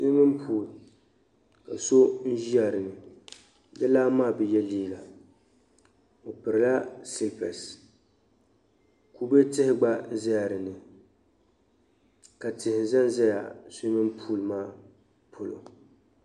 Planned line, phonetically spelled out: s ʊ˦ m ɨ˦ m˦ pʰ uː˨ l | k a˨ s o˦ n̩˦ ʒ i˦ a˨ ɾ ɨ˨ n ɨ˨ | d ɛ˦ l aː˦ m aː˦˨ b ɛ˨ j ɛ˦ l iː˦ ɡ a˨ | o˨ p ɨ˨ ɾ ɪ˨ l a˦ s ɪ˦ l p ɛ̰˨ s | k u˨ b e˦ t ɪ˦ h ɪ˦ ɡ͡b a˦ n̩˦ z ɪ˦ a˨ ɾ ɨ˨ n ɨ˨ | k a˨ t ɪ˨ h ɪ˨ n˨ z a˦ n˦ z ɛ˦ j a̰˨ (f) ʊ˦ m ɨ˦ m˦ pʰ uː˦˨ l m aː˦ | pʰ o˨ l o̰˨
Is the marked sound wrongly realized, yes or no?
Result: yes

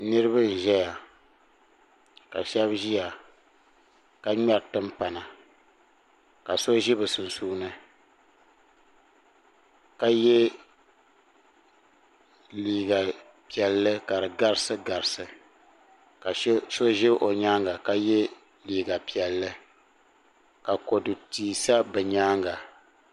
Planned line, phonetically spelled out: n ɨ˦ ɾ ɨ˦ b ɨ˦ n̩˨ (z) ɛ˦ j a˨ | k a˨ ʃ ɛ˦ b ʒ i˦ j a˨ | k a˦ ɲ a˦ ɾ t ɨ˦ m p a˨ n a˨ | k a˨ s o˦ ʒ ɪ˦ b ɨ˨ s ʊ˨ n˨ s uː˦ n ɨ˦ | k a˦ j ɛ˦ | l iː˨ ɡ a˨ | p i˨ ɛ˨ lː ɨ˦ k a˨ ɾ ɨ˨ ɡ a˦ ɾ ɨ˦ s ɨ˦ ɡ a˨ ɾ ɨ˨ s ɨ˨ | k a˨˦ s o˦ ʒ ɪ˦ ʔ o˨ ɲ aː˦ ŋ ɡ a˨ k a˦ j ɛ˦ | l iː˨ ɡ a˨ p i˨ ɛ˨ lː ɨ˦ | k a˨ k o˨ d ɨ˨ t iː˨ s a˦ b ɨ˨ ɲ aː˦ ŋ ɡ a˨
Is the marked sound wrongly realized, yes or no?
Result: yes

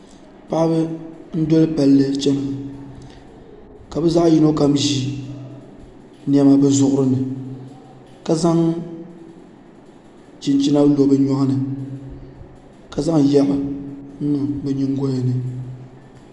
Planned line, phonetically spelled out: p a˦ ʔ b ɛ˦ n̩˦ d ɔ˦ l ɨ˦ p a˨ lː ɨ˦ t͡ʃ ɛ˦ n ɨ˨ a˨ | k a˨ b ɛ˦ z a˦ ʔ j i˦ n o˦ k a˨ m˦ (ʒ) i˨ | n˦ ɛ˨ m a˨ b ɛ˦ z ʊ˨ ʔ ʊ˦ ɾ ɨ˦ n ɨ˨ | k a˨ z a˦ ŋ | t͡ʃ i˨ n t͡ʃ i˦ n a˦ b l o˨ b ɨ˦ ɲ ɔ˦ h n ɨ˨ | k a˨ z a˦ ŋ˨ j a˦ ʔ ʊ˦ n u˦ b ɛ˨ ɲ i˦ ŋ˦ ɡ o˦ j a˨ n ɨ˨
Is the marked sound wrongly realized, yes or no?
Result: no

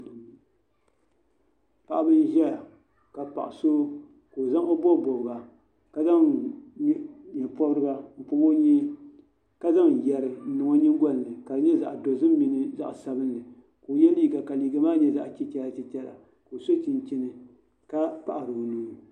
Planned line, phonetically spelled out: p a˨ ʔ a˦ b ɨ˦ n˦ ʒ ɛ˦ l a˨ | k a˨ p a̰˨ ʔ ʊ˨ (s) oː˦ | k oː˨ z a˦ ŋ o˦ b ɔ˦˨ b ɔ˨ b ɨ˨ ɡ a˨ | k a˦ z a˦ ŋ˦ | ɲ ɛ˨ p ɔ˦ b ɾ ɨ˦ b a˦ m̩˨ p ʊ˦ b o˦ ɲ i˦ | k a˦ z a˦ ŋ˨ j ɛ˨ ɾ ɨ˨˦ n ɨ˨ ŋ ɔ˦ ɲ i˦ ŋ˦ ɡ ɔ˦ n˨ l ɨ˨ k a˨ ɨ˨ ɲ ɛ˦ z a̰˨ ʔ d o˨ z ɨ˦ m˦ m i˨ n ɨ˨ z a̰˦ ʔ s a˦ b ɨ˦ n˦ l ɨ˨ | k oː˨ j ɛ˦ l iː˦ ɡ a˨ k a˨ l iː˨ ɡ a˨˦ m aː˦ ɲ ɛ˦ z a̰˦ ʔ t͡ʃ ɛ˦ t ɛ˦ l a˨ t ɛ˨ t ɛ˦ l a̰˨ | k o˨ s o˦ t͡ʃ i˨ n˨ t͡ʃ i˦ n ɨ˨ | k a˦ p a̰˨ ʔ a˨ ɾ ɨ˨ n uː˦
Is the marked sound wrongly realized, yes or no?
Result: no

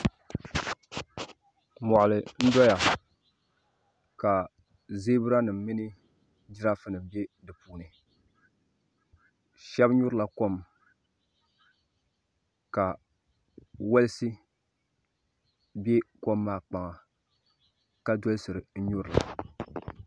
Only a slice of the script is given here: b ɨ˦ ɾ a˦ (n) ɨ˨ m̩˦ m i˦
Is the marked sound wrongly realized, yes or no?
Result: no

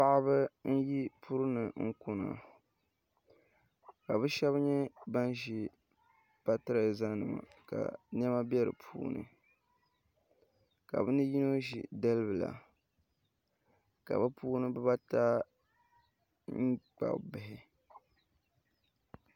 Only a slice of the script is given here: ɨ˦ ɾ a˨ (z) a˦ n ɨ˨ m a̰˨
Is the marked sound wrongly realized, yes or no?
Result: no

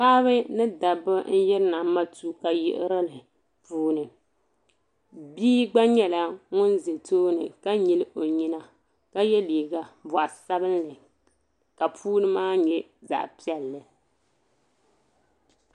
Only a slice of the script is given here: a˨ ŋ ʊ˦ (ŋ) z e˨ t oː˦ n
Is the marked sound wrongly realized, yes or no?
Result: yes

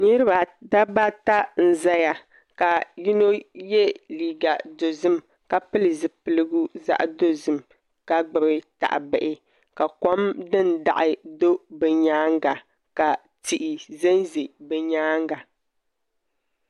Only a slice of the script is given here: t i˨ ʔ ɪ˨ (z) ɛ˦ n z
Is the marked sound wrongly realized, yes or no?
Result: no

